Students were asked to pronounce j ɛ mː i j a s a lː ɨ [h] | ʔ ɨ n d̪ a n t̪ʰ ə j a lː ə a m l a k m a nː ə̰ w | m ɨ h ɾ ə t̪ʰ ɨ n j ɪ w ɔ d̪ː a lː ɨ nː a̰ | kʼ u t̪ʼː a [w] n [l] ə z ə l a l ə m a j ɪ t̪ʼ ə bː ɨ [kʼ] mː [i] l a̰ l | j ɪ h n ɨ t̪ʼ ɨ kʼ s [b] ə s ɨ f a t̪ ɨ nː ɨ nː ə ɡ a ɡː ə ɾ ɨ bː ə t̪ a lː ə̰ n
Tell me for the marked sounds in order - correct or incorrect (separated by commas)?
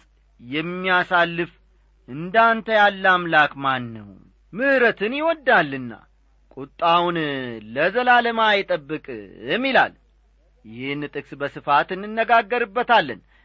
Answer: incorrect, correct, correct, correct, correct, correct